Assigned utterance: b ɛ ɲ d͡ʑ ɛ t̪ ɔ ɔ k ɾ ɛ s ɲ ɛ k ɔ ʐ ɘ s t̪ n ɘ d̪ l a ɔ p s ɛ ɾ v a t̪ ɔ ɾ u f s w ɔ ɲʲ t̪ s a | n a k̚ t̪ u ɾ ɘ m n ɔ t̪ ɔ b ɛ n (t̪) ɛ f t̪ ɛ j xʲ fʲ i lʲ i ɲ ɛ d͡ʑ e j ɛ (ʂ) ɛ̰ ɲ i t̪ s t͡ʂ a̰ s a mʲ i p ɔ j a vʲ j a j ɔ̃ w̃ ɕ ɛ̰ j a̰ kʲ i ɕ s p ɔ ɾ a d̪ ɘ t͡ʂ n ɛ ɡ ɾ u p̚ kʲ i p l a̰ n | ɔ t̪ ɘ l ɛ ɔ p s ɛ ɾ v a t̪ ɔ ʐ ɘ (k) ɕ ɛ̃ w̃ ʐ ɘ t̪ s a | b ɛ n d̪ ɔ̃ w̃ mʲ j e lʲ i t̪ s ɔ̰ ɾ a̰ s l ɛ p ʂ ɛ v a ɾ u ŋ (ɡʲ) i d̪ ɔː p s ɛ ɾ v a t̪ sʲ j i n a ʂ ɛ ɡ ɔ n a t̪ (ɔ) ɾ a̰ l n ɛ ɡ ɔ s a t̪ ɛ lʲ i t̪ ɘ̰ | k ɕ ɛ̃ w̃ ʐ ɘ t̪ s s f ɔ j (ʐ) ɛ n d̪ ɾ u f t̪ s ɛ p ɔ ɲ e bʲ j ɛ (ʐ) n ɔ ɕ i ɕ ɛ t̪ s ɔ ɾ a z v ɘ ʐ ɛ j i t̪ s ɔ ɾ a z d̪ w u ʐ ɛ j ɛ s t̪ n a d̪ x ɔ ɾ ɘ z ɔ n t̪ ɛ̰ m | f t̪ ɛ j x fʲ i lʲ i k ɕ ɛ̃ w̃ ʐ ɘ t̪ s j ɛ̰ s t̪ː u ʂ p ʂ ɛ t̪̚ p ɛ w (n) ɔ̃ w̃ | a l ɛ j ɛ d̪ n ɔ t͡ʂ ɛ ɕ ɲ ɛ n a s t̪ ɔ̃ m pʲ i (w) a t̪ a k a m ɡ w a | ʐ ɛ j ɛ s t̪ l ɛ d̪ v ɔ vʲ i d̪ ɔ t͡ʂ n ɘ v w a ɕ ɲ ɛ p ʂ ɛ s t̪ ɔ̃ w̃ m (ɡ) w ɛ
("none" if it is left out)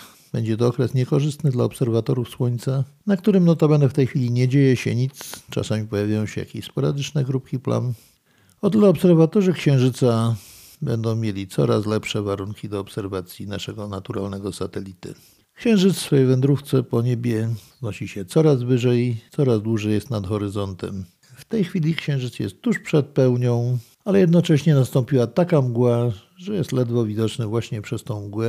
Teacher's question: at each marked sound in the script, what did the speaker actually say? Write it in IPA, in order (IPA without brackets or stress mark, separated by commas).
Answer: d̪, ɕ, k, kʲ, u, v, z, ɲ, w, ɡ